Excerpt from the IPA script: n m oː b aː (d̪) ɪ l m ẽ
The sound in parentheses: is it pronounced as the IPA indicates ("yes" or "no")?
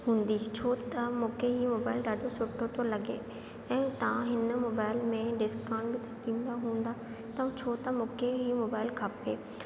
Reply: no